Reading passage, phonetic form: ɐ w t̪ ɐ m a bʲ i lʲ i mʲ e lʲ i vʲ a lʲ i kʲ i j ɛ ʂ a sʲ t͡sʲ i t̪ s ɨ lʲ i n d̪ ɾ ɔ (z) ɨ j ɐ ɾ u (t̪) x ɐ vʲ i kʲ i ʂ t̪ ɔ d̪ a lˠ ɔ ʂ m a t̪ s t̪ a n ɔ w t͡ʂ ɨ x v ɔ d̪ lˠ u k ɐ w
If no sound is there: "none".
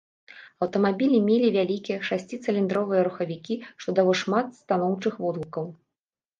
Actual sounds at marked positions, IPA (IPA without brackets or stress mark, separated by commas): v, none